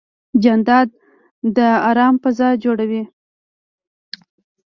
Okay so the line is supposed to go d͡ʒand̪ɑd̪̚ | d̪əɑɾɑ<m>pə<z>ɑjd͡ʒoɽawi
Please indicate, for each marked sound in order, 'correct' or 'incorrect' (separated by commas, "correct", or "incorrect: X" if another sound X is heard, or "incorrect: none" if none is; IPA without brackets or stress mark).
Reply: correct, correct